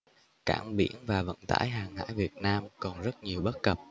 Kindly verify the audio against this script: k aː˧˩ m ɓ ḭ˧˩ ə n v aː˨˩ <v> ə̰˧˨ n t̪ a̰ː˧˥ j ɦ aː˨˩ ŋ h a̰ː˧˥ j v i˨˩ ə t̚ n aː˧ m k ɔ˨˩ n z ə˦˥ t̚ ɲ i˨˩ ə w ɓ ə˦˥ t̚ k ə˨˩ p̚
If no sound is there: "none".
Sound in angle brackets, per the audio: v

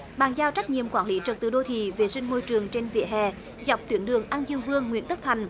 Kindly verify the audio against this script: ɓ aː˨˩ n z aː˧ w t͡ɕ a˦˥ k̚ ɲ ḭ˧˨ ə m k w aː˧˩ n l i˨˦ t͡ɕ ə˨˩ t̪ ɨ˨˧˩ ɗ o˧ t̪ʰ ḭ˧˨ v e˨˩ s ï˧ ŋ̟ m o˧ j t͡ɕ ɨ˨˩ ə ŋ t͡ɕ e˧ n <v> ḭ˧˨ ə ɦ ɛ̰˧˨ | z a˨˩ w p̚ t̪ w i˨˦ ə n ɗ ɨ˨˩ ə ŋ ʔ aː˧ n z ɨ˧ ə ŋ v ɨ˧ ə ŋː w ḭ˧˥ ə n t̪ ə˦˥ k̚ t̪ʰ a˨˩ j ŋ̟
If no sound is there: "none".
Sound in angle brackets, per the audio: v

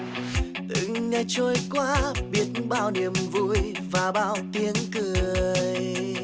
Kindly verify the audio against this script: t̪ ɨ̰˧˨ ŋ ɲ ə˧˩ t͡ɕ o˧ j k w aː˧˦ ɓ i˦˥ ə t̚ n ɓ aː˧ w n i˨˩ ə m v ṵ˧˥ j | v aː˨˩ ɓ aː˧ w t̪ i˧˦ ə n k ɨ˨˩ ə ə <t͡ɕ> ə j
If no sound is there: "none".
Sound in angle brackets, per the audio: none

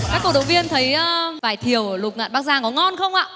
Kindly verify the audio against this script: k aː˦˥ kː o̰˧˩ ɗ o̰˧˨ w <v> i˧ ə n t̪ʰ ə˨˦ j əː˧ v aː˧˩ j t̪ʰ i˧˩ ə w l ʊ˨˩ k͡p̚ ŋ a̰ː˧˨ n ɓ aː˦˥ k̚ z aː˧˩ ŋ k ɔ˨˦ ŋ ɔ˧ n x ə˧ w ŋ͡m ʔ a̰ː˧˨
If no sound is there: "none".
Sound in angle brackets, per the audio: v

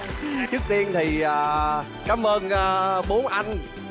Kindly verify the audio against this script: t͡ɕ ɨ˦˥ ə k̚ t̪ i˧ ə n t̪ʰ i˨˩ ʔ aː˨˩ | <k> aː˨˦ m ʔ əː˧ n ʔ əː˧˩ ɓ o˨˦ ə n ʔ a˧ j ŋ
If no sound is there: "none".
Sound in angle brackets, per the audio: k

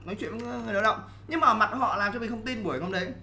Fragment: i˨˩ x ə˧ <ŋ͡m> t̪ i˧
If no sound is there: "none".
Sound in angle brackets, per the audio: ŋ͡m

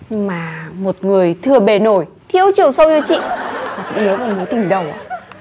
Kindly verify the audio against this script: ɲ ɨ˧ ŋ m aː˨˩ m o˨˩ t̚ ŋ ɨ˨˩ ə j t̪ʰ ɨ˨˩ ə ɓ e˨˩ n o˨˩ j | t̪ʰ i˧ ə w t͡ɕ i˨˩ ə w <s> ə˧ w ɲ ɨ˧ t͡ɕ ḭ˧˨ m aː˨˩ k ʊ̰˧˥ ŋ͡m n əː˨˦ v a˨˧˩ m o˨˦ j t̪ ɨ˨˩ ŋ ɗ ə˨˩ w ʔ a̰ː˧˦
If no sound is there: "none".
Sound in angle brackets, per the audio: s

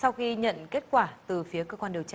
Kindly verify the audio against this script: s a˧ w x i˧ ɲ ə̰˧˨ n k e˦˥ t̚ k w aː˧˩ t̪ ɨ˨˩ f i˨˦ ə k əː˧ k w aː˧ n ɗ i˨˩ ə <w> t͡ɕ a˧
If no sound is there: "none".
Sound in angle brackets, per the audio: w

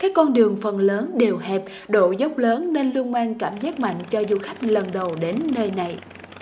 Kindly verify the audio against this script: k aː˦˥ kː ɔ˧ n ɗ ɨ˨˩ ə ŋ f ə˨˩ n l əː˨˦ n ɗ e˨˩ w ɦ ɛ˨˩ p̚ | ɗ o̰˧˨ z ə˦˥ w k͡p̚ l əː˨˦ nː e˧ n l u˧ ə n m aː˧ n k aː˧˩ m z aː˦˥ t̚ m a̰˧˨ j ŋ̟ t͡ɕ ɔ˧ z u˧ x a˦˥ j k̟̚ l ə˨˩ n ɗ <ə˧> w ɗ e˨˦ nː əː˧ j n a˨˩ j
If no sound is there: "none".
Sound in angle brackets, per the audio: ə˨˩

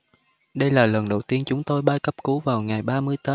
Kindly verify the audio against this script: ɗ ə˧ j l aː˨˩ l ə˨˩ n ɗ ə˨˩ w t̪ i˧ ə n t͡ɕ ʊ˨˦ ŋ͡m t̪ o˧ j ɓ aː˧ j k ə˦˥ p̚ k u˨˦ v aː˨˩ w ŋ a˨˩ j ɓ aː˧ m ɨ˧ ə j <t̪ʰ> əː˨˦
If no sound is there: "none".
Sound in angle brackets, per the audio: t̪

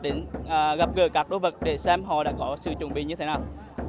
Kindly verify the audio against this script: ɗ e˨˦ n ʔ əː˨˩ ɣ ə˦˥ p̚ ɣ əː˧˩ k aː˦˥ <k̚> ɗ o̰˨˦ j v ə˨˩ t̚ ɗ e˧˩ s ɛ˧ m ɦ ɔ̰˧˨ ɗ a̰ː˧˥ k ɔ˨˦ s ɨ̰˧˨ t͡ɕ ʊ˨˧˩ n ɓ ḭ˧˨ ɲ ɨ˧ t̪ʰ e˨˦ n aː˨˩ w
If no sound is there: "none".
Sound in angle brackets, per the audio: k̚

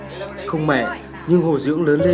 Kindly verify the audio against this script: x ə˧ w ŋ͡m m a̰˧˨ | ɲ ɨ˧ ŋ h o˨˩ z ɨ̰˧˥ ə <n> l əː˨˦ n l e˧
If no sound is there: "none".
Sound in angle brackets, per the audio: ŋ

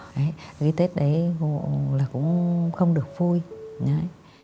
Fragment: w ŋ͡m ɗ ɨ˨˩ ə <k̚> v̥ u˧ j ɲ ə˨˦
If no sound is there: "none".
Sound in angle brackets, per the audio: k̚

